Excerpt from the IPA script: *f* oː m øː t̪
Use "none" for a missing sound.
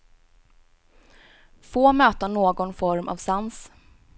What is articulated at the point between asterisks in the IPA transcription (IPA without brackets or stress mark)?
f